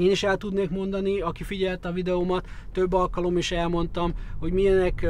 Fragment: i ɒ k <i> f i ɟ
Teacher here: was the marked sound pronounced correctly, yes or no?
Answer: yes